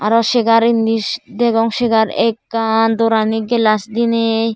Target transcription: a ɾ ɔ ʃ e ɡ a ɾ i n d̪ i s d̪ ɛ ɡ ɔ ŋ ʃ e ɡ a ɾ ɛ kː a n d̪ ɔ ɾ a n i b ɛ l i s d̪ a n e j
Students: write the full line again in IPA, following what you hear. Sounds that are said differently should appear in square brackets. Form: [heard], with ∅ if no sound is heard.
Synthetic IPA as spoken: a ɾ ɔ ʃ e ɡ a ɾ i n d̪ i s d̪ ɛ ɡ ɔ ŋ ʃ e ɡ a ɾ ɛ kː a n d̪ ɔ ɾ a n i [ɡ] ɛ l [a] s d̪ [i] n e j